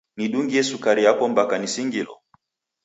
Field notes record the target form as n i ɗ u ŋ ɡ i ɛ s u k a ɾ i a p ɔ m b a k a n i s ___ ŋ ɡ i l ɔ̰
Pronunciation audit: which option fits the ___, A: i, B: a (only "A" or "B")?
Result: A